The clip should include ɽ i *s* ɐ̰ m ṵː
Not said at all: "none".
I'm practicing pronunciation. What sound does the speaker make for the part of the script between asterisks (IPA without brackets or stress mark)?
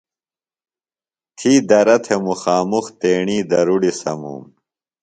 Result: s